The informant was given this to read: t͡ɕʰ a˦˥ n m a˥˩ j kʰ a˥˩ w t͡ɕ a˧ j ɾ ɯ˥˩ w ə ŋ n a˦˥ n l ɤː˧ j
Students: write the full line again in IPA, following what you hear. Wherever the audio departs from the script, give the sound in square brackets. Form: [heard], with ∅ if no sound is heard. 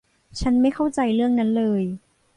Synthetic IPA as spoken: t͡ɕʰ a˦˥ n m a˥˩ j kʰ a˥˩ w t͡ɕ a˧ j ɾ ɯ˥˩ [∅] ə ŋ n a˦˥ n l ɤː˧ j